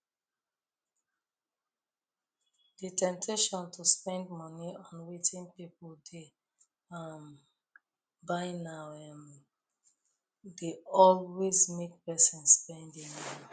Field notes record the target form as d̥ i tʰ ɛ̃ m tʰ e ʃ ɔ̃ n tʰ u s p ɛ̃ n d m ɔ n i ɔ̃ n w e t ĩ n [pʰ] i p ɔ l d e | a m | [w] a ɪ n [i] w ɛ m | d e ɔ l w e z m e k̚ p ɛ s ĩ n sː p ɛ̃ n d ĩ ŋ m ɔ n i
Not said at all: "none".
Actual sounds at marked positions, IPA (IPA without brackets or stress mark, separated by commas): p, b, a